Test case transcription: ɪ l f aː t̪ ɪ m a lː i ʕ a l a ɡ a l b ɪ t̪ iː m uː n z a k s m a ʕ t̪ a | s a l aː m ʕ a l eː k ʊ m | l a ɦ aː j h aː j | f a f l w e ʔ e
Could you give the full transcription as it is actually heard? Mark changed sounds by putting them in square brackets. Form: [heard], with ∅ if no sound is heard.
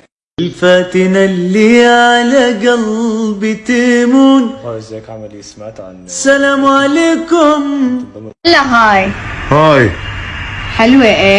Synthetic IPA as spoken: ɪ l f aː t̪ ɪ [n] a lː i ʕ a l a ɡ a l b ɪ t̪ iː m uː n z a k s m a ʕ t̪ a | s a l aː m ʕ a l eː k ʊ m | l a ɦ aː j h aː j | [ħ] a [∅] l w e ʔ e